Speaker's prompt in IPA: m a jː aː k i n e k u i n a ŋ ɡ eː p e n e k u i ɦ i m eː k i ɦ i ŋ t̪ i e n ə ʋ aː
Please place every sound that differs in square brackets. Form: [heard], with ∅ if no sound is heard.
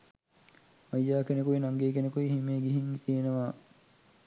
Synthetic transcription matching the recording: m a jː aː k [e] n e k u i n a ŋ ɡ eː [k] e n e k u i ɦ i m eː [ɡ] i ɦ i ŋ t̪ i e n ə ʋ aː